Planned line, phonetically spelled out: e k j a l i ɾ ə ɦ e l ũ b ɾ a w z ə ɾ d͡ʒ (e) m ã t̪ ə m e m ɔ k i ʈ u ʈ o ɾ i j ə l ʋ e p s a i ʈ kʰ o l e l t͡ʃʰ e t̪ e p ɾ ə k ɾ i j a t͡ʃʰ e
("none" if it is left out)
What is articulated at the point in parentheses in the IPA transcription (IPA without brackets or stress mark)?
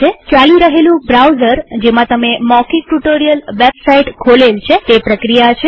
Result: e